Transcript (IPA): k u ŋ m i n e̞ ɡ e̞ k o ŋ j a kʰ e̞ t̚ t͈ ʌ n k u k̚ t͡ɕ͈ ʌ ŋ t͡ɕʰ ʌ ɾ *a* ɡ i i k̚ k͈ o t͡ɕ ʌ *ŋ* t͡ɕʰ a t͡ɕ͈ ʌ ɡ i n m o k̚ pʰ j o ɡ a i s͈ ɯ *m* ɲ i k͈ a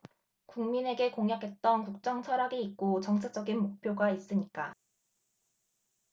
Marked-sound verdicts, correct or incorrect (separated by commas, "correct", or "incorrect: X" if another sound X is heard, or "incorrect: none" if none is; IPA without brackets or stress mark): correct, correct, incorrect: none